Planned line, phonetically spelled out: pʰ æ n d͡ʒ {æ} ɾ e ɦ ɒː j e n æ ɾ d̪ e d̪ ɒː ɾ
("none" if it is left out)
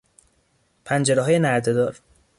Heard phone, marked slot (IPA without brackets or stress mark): e